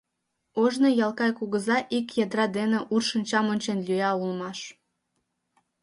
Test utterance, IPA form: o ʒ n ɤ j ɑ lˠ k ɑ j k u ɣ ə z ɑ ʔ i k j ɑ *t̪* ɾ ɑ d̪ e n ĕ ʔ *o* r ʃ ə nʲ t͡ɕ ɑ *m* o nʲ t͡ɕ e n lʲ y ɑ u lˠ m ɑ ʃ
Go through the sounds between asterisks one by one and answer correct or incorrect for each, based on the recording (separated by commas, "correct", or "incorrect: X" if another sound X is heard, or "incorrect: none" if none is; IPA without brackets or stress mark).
incorrect: d̪, incorrect: u, correct